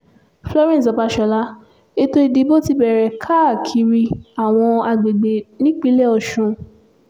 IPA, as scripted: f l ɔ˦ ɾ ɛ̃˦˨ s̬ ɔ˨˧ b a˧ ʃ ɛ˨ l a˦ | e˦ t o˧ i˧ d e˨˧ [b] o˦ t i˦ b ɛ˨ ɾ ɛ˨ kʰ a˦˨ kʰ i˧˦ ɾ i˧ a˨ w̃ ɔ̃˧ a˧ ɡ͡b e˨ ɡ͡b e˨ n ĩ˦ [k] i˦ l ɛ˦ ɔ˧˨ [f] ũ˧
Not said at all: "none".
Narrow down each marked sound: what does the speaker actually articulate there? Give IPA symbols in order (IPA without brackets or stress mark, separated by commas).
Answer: b, k͡p, ʃ